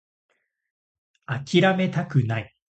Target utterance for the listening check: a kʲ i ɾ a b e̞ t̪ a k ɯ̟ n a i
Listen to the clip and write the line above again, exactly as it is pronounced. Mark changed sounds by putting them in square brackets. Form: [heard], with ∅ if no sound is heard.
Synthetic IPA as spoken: a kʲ i ɾ a [m] e̞ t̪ a k ɯ̟ n a i